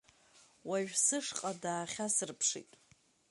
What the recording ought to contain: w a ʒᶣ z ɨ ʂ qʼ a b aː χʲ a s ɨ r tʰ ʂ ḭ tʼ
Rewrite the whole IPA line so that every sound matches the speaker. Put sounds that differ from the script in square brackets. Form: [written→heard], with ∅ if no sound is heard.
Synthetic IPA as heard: w a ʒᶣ [z→s] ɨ ʂ qʼ a [b→d] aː χʲ a s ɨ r [tʰ→pʰ] ʂ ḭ tʼ